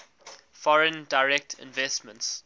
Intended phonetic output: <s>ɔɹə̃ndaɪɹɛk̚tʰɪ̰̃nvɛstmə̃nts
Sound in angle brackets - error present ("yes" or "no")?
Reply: yes